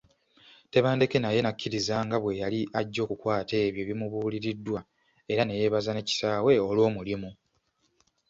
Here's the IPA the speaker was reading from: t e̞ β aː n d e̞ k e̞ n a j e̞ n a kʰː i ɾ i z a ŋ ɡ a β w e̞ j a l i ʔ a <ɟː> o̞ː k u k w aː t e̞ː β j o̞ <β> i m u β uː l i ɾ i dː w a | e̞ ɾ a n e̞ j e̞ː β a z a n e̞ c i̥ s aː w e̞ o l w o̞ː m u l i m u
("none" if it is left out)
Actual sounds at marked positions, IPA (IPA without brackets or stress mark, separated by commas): ɟː, β